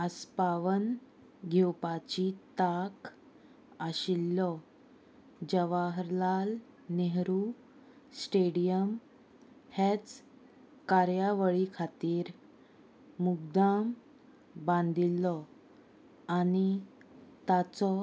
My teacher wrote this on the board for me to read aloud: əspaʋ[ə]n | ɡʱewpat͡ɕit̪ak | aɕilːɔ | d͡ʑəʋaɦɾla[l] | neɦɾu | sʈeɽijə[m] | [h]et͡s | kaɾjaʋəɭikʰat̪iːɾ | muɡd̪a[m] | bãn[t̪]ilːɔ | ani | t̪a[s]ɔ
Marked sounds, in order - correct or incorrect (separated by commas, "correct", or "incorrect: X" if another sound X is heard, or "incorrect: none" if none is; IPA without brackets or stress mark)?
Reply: correct, correct, correct, correct, correct, incorrect: d̪, incorrect: t͡s